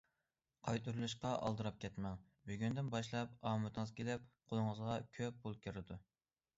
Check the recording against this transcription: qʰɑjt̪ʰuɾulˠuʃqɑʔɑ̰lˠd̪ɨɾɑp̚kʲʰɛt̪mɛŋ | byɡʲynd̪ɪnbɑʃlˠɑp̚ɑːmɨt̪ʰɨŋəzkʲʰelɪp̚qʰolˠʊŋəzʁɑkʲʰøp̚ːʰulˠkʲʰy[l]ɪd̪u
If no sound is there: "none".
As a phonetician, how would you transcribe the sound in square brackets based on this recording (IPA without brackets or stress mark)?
ɾ